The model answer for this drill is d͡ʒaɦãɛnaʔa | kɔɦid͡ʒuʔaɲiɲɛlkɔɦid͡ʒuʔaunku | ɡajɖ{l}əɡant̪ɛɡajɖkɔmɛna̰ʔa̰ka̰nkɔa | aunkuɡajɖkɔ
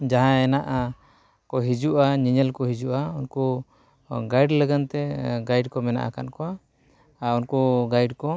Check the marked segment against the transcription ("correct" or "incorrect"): correct